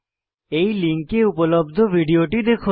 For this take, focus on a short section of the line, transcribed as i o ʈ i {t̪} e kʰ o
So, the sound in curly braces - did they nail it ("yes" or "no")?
no